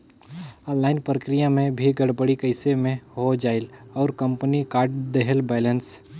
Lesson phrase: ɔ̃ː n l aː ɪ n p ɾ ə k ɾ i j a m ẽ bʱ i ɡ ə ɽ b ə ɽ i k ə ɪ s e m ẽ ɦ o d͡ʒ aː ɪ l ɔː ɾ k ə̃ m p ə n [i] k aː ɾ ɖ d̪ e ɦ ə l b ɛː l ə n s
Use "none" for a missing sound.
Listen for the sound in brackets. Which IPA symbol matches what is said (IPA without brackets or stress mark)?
i